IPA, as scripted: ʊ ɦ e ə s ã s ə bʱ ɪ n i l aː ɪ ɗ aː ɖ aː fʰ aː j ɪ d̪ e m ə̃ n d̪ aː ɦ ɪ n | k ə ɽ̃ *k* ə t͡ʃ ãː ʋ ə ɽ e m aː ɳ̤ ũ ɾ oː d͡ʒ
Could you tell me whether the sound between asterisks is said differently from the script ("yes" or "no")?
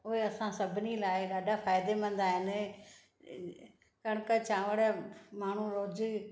no